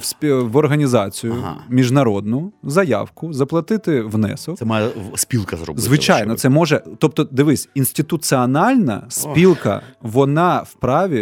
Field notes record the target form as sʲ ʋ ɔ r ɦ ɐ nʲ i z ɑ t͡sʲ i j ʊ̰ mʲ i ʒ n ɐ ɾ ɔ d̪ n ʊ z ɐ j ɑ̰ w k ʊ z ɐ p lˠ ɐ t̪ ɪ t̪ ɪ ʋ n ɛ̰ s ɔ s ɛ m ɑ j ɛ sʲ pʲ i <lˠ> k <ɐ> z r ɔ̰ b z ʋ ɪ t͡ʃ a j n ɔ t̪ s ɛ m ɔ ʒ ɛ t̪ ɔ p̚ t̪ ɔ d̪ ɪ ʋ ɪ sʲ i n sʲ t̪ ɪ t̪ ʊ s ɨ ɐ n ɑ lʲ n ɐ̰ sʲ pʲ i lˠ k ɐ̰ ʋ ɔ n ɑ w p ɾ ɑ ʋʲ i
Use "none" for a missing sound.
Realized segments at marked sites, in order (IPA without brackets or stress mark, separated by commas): lˠ, ɐ